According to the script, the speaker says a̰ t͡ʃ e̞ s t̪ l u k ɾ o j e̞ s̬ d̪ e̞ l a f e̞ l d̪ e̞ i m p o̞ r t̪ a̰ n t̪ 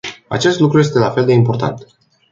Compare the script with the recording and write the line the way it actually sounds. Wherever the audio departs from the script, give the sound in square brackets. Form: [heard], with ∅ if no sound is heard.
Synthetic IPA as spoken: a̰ t͡ʃ e̞ s t̪ l u k ɾ [u] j e̞ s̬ [t̪] e̞ l a f e̞ l d̪ e̞ i m p o̞ r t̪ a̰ n t̪

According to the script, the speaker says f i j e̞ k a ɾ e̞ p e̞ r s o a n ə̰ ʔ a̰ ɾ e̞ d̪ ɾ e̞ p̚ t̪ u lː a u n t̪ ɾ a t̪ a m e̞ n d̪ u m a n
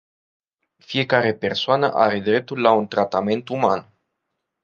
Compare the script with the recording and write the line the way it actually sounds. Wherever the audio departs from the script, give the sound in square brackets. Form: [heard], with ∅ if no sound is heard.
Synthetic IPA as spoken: f i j e̞ k a ɾ e̞ p e̞ r s o a n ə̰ ʔ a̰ ɾ e̞ d̪ ɾ e̞ p̚ t̪ u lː a u n t̪ ɾ a t̪ a m e̞ n [t̪] u m a n

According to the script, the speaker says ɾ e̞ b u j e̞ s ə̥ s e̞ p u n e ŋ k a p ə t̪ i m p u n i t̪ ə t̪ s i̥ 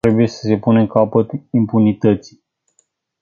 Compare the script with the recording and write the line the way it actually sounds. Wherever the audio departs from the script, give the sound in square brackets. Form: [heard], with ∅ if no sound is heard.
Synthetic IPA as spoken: ɾ e̞ b u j e̞ s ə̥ s e̞ p u n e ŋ k a p ə t̪ i m p u n i t̪ ə t̪ s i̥

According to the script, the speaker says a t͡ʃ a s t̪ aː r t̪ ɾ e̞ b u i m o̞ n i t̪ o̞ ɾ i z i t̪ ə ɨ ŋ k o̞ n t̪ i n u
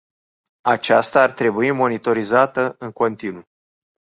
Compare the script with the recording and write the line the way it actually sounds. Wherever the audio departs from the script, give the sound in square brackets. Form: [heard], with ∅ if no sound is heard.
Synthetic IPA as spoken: a t͡ʃ a s t̪ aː r t̪ ɾ e̞ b u i m o̞ n i t̪ o̞ ɾ i z [a] t̪ ə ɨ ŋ k o̞ n t̪ i n u

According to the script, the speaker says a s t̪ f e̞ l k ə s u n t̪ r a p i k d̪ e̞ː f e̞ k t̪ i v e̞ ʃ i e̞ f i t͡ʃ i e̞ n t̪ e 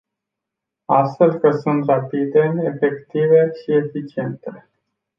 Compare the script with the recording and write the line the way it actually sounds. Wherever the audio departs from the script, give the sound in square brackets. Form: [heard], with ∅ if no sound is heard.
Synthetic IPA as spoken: a s t̪ f e̞ l k ə s u n t̪ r a p i [∅] d̪ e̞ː f e̞ k t̪ i v e̞ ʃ i e̞ f i t͡ʃ i e̞ n t̪ e

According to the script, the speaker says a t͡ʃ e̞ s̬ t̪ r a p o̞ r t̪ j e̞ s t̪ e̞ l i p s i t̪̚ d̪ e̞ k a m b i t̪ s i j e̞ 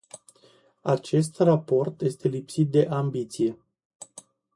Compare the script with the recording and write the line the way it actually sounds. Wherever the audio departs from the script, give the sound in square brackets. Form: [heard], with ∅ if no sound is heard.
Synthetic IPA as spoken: a t͡ʃ e̞ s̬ t̪ r a p o̞ r t̪ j e̞ s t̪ e̞ l i p s i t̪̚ d̪ e̞ [ʔ] a m b i t̪ s i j e̞

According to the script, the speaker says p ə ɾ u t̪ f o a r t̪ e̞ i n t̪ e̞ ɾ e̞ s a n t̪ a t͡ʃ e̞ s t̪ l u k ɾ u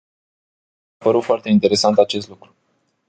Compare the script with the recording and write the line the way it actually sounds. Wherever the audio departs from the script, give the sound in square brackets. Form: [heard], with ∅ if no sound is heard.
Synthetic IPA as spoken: p ə ɾ u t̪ f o a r t̪ e̞ i n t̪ e̞ ɾ e̞ s a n t̪ a t͡ʃ e̞ s t̪ l u k ɾ u

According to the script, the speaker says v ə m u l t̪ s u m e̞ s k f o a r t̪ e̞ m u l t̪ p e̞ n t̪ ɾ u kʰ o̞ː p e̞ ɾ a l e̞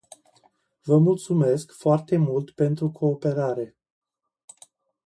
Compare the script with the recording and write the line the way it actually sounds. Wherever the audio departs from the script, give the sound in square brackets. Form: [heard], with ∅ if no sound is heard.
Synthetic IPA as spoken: v ə m u l t̪ s u m e̞ s k f o a r t̪ e̞ m u l t̪ p e̞ n t̪ ɾ u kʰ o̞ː p e̞ ɾ a [ɾ] e̞

